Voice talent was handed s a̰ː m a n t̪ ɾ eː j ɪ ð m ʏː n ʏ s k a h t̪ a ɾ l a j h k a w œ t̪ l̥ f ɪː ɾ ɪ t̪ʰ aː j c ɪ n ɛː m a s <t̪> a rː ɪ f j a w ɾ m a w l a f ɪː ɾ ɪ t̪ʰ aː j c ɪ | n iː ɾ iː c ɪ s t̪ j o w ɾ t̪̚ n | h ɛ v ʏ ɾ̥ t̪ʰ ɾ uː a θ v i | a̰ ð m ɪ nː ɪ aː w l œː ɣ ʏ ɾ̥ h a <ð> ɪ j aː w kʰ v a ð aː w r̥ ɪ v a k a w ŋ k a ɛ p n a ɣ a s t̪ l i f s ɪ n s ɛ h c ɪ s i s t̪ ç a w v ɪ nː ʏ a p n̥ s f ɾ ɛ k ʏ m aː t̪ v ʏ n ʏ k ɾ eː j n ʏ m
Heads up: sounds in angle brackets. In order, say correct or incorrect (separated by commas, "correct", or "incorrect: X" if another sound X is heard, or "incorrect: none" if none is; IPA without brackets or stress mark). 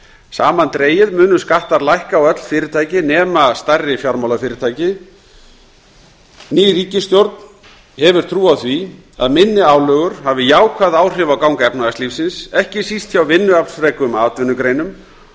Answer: correct, incorrect: v